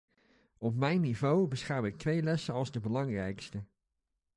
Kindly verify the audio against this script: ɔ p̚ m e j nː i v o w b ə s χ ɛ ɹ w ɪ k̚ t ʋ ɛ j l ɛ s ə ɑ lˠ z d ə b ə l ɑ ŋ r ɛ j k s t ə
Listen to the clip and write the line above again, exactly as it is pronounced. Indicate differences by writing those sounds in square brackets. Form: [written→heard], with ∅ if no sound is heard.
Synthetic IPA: ɔ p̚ m [e→ɛ] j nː i v o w b ə s χ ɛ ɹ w ɪ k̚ t ʋ [ɛ→e] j l ɛ s ə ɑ lˠ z d ə b ə l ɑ ŋ r ɛ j k s t ə